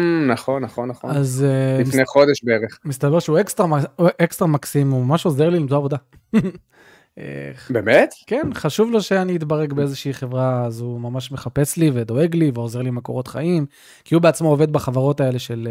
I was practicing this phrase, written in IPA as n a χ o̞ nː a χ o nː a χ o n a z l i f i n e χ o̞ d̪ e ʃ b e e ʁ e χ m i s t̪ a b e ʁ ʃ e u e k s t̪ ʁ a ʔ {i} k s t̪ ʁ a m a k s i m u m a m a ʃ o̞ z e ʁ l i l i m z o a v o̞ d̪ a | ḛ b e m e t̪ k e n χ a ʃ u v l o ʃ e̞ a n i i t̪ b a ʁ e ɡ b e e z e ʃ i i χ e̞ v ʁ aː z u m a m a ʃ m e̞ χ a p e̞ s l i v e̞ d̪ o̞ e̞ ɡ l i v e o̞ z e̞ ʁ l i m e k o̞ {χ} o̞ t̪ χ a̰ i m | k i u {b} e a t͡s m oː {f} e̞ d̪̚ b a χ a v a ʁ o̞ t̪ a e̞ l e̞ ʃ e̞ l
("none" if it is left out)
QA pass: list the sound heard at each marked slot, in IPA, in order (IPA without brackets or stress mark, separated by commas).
e, ʁ, b, v